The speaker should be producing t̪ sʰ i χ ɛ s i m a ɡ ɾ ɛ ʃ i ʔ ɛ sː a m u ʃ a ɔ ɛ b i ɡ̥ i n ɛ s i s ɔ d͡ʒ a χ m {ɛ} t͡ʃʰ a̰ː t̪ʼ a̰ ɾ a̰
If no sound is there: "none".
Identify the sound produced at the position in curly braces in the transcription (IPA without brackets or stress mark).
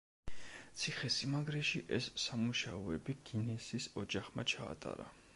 a